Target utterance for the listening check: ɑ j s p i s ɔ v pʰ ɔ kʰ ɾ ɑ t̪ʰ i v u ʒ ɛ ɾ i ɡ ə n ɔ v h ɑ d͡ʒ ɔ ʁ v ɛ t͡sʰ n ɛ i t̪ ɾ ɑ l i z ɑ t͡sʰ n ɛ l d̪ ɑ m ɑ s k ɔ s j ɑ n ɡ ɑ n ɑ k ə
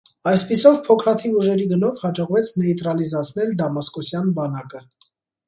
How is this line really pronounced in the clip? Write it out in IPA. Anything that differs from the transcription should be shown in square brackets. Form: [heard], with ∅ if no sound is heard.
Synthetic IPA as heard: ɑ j s p i s ɔ v pʰ ɔ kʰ ɾ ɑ t̪ʰ i v u ʒ ɛ ɾ i ɡ ə n ɔ v h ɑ d͡ʒ ɔ ʁ v ɛ t͡sʰ n ɛ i t̪ ɾ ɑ l i z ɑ t͡sʰ n ɛ l d̪ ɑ m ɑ s k ɔ s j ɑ n [b] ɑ n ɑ k ə